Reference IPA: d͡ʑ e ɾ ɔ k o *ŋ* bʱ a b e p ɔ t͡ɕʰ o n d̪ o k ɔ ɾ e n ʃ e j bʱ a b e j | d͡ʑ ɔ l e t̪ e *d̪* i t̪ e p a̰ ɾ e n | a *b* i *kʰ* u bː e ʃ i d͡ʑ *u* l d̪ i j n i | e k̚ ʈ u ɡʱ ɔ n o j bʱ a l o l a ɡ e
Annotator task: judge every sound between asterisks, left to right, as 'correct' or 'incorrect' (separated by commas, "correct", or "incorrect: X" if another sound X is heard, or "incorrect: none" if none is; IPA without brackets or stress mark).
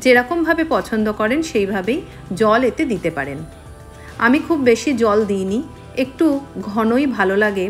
incorrect: m, correct, incorrect: m, correct, incorrect: ɔ